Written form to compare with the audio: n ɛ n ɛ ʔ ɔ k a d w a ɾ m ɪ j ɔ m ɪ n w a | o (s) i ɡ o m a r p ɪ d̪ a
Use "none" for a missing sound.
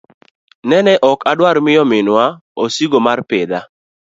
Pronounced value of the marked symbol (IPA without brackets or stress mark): s